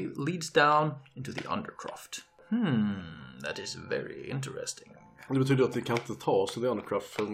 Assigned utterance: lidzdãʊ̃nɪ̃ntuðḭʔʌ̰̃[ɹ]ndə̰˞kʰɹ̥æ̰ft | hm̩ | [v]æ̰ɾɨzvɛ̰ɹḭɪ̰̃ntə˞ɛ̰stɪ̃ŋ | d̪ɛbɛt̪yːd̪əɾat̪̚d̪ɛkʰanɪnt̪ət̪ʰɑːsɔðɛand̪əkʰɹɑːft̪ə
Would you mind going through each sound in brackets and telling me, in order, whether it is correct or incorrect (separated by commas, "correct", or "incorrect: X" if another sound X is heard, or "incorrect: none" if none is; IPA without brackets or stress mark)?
incorrect: none, incorrect: ð